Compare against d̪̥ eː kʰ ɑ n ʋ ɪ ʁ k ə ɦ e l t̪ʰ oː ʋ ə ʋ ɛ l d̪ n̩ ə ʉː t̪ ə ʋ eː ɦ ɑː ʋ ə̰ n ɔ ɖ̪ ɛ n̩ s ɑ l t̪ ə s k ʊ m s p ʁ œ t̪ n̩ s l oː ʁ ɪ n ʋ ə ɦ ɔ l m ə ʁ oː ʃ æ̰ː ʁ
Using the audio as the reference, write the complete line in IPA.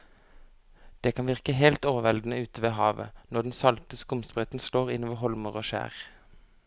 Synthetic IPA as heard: d̪̥ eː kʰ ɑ n ʋ ɪ ʁ k ə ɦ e l t̪ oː ʋ ə ʋ ɛ l d̪ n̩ ə ʉː t̪ ə ʋ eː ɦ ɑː ʋ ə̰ n ɔ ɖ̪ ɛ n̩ s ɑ l t̪ ə s k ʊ m s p ʁ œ t̪ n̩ s l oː ʁ ɪ n ʋ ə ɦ ɔ l m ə ʁ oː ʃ æ̰ː ʁ